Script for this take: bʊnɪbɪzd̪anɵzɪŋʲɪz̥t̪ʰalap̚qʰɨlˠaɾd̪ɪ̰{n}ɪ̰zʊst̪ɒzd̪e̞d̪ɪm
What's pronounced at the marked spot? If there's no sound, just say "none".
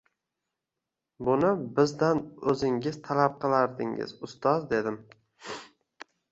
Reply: ŋ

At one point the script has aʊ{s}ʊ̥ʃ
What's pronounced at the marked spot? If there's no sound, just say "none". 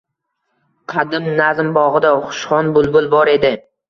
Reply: χ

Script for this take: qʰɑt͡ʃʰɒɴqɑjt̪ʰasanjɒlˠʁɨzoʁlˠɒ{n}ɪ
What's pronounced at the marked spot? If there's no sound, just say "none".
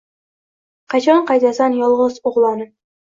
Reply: n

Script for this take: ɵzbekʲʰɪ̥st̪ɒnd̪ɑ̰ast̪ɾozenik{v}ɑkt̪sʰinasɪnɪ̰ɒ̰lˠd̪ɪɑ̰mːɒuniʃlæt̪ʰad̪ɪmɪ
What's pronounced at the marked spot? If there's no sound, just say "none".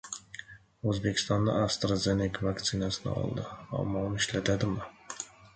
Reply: v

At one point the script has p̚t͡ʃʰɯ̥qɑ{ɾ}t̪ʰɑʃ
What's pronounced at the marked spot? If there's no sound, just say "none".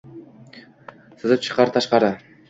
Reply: ɾ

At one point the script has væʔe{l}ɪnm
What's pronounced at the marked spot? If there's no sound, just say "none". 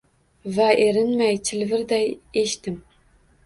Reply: ɾ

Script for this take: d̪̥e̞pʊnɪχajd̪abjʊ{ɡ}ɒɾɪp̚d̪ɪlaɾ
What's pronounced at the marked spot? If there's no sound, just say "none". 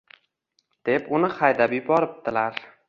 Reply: b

